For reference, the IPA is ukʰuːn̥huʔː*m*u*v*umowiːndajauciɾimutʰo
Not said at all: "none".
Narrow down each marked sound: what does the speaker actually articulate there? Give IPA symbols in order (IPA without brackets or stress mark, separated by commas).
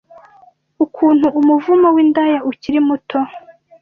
m, v